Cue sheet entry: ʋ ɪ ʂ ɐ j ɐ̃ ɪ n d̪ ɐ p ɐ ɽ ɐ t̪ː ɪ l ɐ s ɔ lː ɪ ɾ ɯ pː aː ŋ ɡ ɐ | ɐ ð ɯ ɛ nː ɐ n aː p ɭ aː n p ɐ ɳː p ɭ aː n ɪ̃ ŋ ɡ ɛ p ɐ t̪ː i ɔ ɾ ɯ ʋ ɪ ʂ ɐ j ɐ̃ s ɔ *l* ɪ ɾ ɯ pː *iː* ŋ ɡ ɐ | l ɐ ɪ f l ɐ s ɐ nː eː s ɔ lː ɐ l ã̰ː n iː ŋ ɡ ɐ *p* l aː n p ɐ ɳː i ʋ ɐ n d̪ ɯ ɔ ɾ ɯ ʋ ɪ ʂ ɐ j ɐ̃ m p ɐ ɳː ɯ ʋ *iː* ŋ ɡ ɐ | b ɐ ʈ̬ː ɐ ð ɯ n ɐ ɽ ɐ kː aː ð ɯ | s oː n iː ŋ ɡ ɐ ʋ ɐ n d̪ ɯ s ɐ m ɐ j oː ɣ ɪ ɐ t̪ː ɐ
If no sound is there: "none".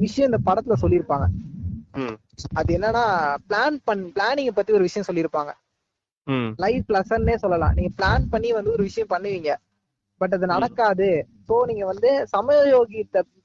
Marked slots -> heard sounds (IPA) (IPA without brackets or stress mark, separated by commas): lː, aː, p, iː